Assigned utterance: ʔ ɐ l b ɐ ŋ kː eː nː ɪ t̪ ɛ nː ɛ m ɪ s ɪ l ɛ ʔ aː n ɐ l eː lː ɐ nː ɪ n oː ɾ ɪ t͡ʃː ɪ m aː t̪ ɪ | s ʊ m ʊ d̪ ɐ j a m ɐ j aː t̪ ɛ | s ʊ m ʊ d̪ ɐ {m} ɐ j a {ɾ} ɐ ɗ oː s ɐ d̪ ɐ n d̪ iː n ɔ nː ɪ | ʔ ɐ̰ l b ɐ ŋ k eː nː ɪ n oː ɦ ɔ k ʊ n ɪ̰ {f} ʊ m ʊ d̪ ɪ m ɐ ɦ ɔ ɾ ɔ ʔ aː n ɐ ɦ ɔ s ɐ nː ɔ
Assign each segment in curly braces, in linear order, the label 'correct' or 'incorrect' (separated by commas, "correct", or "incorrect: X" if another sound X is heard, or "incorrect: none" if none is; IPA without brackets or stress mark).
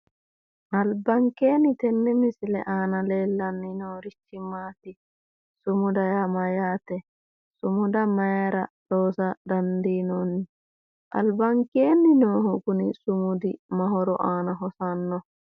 correct, correct, incorrect: s